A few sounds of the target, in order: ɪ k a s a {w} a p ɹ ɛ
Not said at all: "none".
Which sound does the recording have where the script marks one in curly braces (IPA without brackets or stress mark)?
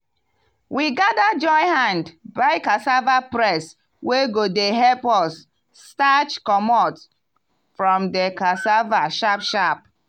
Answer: v